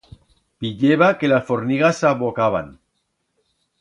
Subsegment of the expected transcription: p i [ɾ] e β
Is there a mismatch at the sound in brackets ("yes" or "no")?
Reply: yes